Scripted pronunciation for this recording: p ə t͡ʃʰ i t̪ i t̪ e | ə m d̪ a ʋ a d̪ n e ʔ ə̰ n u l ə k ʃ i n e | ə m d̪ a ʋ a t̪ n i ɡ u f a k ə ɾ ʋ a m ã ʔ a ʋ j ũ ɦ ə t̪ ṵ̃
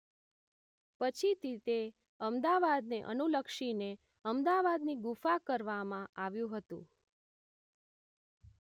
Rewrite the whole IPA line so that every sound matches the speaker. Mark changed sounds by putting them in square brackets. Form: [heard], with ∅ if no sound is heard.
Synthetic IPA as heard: p ə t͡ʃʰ i t̪ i t̪ e | ə m d̪ a ʋ a d̪ n e ʔ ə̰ n u l ə k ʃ i n e | ə m d̪ a ʋ a [d̪] n i ɡ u f a k ə ɾ ʋ a m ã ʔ a ʋ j ũ ɦ ə t̪ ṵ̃

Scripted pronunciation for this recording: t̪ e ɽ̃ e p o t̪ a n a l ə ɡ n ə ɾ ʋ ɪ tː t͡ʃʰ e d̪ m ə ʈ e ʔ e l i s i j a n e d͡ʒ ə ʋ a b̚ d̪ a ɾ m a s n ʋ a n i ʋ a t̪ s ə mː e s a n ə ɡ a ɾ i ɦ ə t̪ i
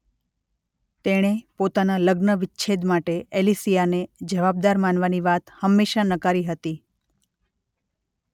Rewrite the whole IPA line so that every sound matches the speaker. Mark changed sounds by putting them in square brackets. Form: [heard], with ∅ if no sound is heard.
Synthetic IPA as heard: t̪ e ɽ̃ e p o t̪ a n a l ə ɡ n ə [∅] ʋ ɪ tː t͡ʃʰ e d̪ m [a] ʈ e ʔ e l i s i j a n e d͡ʒ ə ʋ a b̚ d̪ a ɾ m a [∅] n ʋ a n i ʋ a t̪ [h] ə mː e [ʃ] a n ə [k] a ɾ i ɦ ə t̪ i

